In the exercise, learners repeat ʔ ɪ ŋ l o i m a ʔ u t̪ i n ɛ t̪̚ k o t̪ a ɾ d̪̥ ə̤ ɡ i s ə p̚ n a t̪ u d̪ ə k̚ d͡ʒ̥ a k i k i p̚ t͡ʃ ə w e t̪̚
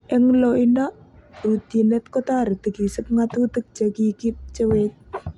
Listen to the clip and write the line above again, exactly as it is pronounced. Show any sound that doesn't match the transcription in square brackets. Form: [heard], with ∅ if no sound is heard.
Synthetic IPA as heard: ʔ ɪ ŋ l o i [n] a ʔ u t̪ i n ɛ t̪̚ k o t̪ a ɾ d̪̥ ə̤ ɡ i s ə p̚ [ŋ] a t̪ u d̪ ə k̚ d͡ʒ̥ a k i k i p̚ t͡ʃ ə w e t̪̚